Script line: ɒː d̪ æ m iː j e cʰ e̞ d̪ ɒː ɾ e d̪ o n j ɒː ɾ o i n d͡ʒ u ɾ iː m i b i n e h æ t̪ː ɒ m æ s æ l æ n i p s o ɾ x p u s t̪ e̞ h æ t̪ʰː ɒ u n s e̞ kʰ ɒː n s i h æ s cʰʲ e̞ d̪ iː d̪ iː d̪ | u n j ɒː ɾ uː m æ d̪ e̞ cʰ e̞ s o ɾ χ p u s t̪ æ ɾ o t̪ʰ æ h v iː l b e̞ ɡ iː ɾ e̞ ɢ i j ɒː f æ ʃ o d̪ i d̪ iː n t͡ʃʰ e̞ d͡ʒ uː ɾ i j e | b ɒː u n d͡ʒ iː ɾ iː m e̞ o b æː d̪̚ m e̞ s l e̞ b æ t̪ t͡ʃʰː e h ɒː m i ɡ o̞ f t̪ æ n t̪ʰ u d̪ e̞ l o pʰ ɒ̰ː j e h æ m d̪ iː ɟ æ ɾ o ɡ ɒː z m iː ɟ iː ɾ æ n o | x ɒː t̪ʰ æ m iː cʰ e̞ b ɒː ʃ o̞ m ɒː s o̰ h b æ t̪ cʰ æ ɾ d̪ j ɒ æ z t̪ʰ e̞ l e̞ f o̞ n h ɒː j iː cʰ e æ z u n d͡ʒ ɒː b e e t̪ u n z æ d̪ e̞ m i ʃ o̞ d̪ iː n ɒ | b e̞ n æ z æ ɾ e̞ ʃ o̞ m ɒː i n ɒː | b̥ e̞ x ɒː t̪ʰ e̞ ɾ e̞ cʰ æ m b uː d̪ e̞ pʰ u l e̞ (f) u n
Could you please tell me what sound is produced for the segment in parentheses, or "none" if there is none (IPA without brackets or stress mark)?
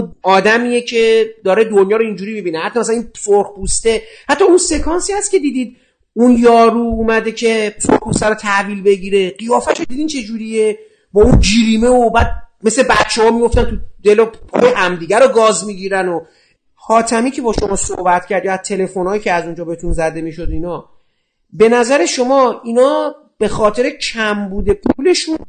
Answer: ʃ